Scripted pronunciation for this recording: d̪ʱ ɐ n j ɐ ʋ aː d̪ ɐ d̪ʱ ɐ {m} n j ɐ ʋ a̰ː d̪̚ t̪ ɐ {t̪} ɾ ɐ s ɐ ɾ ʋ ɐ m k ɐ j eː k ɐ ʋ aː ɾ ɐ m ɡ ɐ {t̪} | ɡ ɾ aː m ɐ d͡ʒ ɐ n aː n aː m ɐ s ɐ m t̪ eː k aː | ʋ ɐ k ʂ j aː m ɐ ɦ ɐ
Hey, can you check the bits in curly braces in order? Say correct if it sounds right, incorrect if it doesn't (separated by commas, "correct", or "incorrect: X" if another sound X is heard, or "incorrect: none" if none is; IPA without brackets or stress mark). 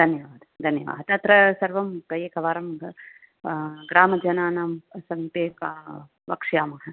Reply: incorrect: none, correct, incorrect: none